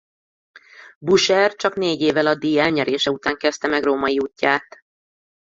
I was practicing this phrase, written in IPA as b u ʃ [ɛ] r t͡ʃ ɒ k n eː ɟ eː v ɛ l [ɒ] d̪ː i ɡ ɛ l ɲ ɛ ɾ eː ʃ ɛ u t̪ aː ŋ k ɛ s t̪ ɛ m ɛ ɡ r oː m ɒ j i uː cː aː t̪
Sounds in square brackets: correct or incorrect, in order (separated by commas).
correct, correct